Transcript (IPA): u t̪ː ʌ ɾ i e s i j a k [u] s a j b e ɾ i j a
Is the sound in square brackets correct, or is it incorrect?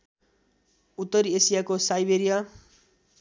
incorrect